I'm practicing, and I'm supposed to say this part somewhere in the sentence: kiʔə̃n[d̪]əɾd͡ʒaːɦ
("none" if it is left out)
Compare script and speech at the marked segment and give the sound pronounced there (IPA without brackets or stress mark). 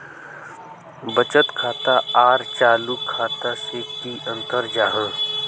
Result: t̪